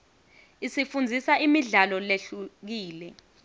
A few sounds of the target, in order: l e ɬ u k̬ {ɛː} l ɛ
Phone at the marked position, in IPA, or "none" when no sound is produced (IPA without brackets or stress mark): iː